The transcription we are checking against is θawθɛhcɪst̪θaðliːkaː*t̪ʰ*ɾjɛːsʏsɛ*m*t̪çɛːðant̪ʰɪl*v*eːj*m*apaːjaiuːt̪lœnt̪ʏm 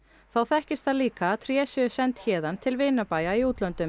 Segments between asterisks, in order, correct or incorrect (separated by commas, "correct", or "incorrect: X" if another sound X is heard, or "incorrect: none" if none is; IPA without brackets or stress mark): correct, incorrect: n, correct, incorrect: n